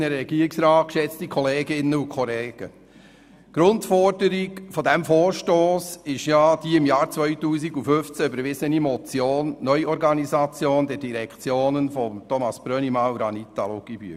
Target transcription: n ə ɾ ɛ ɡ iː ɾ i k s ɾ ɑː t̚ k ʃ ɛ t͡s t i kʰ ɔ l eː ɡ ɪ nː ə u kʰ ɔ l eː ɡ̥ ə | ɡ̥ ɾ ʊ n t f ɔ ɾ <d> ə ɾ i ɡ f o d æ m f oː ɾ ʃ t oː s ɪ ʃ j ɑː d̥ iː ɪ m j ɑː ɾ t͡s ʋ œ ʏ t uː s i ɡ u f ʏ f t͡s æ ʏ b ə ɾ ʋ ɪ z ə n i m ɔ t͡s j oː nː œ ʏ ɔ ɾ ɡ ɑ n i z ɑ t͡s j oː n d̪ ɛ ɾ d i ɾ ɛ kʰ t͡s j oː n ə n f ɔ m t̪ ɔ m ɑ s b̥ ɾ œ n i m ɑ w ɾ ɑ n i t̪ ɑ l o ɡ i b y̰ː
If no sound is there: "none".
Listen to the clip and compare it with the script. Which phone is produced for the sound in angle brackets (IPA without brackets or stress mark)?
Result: d